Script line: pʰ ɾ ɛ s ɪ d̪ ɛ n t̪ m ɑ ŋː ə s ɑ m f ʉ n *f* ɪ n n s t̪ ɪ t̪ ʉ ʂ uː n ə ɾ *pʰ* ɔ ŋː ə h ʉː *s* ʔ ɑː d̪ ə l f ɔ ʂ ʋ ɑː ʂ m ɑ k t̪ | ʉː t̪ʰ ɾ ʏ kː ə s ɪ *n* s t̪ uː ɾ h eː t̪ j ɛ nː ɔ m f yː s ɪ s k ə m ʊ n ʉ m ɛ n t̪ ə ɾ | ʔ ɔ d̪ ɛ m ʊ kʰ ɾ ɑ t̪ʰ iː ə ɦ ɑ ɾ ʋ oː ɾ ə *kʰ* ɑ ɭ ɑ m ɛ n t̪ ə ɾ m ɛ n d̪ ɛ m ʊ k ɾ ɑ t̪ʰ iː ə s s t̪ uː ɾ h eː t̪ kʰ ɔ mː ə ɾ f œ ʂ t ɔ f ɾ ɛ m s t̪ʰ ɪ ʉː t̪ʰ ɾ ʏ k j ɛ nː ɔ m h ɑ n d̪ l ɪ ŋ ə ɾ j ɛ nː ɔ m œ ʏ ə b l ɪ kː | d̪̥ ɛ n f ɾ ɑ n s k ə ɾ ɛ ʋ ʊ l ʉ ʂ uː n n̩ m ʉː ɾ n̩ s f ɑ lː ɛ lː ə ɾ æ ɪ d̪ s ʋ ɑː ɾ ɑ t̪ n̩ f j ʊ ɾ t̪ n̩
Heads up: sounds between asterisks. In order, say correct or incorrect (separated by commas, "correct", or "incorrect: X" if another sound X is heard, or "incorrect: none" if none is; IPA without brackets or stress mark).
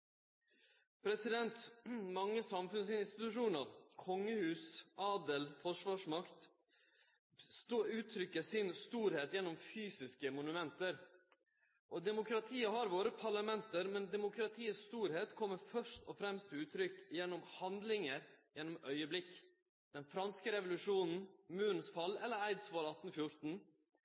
incorrect: s, incorrect: kʰ, correct, correct, incorrect: pʰ